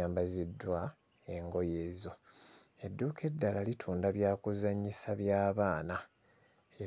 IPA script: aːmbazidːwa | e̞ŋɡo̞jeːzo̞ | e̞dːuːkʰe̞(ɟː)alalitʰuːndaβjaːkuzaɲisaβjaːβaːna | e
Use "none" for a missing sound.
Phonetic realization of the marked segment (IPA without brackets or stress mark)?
dː